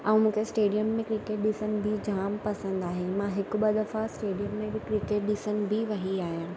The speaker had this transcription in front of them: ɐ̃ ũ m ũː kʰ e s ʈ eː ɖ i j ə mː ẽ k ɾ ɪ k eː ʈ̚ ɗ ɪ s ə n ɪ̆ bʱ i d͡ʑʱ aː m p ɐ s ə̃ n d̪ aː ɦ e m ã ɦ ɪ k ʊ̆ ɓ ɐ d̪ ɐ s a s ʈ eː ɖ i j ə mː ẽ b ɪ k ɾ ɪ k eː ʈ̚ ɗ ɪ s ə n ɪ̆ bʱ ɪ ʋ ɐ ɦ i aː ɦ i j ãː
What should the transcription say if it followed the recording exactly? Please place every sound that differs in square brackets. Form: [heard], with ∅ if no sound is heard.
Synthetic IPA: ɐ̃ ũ m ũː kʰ e s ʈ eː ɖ i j ə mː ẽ k ɾ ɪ k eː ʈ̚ ɗ ɪ s ə n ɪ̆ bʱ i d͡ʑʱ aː m p ɐ s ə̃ n d̪ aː ɦ e m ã ɦ ɪ k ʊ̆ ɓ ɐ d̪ ɐ [f] a s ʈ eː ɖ i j ə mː ẽ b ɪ k ɾ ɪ k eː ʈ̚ ɗ ɪ s ə n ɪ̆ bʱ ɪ ʋ ɐ ɦ i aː ɦ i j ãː